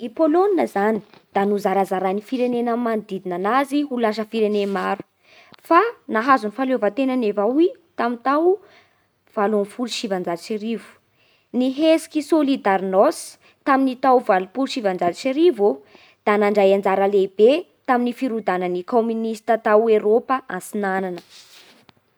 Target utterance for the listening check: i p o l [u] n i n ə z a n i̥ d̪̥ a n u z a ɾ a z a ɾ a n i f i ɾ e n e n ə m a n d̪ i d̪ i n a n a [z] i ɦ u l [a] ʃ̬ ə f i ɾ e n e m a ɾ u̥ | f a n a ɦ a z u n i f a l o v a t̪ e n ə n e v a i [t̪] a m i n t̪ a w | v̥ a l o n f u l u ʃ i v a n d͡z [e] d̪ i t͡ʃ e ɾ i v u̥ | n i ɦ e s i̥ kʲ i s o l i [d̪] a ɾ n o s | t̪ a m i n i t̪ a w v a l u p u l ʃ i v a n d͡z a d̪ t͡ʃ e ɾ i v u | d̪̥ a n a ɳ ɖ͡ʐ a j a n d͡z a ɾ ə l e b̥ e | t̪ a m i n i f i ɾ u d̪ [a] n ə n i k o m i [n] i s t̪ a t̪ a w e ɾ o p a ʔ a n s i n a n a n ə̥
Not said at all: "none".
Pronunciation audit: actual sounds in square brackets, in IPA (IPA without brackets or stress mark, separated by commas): o, z, a, t̪, a, d̪, a, n